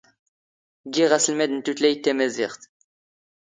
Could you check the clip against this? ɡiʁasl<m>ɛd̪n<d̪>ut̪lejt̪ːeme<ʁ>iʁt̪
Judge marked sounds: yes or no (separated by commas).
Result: yes, no, no